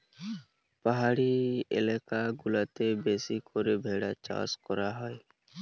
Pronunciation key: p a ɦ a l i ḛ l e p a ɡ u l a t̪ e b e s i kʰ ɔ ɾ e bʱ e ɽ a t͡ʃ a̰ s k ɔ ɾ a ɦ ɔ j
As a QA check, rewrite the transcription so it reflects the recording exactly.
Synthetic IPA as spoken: p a ɦ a ɽ i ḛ l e k a ɡ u l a t̪ e b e s i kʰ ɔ ɾ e bʱ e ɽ a t͡ʃ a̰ s k ɔ ɾ a ɦ ɔ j